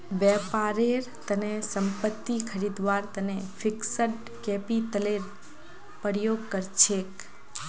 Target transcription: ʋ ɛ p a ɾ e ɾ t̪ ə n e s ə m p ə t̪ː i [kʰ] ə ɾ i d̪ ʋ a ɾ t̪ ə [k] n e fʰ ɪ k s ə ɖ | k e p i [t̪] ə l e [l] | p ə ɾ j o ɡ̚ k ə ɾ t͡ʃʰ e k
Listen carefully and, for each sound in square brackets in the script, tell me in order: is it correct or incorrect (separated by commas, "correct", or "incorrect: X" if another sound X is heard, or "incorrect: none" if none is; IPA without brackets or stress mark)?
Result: correct, incorrect: none, correct, incorrect: ɾ